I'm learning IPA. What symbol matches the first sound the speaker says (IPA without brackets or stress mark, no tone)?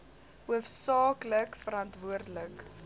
u